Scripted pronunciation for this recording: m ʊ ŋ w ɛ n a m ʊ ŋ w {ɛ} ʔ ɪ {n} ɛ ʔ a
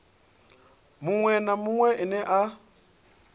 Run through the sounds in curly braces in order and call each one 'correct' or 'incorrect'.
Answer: correct, correct

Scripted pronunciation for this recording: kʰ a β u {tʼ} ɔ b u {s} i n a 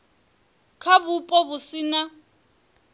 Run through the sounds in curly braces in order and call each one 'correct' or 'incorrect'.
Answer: incorrect, correct

